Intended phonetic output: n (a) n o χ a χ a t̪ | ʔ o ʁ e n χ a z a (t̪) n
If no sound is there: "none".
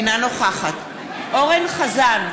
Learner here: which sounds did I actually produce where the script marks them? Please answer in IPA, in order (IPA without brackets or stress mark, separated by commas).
a, none